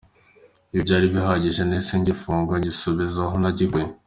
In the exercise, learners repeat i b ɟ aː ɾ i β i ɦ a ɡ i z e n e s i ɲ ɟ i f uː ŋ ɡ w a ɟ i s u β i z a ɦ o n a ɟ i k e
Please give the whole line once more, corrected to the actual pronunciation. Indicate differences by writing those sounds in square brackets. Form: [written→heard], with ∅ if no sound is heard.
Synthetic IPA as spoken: i b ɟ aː ɾ i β i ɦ a [ɡ→ɟ] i [z→ʒ] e n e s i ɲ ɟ i f uː ŋ ɡ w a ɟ i s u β i z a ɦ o n a ɟ i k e